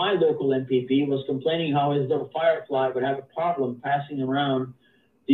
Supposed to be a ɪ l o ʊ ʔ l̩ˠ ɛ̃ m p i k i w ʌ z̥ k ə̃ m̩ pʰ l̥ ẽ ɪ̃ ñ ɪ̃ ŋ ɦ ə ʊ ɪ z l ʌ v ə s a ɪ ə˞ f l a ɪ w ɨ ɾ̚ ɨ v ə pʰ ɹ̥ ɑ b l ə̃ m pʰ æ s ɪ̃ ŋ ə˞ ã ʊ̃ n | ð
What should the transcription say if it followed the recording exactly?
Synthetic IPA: a ɪ l o ʊ k l̩ˠ ɛ̃ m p i p i w ʌ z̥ k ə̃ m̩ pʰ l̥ ẽ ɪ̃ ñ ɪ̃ ŋ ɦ a ʊ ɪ z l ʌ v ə f a ɪ ə˞ f l a ɪ w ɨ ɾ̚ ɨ v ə pʰ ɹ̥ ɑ b l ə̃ m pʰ æ s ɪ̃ ŋ ə˞ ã ʊ̃ n | ð